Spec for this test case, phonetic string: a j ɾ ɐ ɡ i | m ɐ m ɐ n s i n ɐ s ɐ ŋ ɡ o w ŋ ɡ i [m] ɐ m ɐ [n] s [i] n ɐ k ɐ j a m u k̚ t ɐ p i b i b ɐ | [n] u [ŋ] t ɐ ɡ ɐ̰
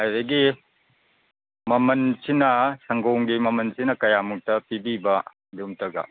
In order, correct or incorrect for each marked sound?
correct, correct, correct, incorrect: d, incorrect: m

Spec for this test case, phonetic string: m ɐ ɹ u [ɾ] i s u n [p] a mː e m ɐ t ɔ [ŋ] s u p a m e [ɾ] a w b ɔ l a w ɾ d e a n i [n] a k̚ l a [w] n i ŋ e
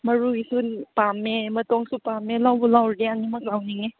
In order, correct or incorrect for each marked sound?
incorrect: none, correct, correct, incorrect: l, incorrect: m, correct

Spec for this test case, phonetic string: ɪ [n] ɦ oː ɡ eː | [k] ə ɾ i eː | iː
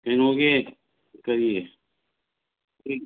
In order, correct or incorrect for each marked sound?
correct, correct

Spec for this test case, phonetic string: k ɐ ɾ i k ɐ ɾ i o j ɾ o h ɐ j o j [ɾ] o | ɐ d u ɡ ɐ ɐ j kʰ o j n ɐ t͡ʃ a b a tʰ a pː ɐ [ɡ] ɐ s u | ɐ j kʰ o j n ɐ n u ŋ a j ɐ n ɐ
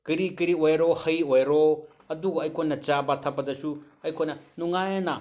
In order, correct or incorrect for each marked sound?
correct, incorrect: d

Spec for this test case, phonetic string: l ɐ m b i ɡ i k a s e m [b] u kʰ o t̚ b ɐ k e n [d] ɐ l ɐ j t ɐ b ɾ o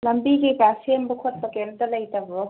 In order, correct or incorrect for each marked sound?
correct, incorrect: t

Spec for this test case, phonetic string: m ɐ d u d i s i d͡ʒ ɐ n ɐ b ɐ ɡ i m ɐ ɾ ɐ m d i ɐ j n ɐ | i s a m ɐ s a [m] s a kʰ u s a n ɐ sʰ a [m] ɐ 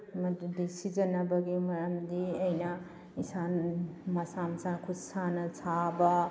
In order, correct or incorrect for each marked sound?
correct, incorrect: b

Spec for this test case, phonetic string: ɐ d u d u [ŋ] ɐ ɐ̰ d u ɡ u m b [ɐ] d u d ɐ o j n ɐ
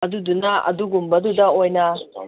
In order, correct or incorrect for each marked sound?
incorrect: n, correct

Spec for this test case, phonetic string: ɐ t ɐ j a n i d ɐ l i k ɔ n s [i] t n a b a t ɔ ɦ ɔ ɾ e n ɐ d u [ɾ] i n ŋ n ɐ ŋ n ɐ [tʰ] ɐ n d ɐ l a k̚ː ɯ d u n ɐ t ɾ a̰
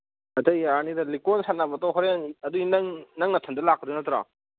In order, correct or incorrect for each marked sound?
incorrect: a, incorrect: none, correct

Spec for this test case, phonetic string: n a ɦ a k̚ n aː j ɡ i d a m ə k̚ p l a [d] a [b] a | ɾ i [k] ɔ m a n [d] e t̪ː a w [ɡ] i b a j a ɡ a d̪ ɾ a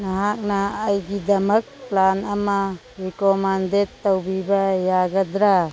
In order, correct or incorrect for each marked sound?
incorrect: n, incorrect: m, correct, correct, incorrect: b

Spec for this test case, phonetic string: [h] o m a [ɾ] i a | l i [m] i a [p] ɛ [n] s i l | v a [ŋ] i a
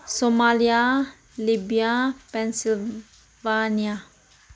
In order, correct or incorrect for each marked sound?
incorrect: s, incorrect: l, incorrect: b, correct, correct, incorrect: n

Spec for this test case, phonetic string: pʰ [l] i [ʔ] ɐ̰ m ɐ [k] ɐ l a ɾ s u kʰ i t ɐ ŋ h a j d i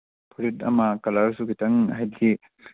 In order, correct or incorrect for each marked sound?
incorrect: ɾ, incorrect: t, correct

